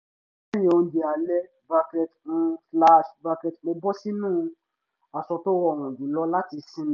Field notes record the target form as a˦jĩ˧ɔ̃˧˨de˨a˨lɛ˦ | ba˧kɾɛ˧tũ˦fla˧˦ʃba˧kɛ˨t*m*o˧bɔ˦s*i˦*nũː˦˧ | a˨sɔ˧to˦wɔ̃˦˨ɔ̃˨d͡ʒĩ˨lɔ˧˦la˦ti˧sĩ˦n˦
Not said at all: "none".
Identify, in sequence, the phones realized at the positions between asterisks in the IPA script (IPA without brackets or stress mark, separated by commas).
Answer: m, i˦